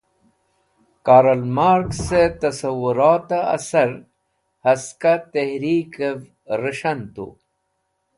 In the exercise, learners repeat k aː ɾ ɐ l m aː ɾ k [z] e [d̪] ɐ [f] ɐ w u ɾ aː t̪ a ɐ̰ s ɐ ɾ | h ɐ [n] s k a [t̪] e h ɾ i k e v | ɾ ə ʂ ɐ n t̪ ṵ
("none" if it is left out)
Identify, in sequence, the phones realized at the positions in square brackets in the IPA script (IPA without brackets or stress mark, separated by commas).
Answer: s, t̪, s, none, t̪